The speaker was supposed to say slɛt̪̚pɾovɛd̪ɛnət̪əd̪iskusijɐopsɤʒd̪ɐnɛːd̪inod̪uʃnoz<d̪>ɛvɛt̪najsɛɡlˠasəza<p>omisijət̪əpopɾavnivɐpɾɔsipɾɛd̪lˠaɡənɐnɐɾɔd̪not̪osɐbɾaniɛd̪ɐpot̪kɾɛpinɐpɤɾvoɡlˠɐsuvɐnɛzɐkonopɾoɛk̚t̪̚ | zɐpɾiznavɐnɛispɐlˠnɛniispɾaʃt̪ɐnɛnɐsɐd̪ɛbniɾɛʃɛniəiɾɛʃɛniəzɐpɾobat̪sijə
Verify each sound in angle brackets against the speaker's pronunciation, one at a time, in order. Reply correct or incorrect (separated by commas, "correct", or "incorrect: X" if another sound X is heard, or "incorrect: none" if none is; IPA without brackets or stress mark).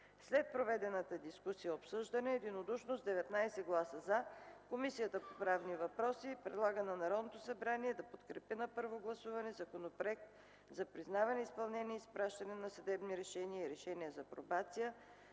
correct, incorrect: k